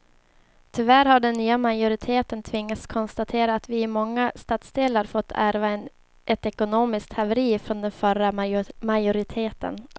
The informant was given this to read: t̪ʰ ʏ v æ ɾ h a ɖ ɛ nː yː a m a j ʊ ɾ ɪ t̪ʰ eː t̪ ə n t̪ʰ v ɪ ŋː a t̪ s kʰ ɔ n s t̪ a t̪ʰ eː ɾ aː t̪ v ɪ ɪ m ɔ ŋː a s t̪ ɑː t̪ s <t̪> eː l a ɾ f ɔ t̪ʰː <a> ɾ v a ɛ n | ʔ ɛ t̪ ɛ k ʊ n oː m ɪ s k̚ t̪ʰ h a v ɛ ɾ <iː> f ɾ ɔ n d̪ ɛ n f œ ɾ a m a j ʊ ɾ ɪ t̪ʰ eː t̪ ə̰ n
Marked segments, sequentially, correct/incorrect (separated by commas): incorrect, incorrect, correct